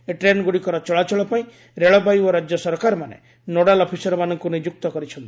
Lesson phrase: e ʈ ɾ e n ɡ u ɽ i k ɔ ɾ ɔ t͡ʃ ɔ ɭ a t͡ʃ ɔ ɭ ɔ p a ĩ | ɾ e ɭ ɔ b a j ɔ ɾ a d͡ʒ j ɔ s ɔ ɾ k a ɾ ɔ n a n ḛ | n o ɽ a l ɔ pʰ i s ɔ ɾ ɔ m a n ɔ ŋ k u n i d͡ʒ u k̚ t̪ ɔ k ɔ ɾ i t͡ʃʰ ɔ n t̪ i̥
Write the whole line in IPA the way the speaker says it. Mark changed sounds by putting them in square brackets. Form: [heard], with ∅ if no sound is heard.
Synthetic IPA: e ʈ ɾ e n ɡ u ɽ i k ɔ ɾ ɔ t͡ʃ ɔ ɭ a t͡ʃ ɔ ɭ ɔ p a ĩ | ɾ e ɭ ɔ b a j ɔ ɾ a d͡ʒ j ɔ s ɔ ɾ k a ɾ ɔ [m] a n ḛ | n o ɽ a l ɔ pʰ i s ɔ ɾ ɔ m a n ɔ ŋ k u n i d͡ʒ u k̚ t̪ ɔ k ɔ ɾ i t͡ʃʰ ɔ n t̪ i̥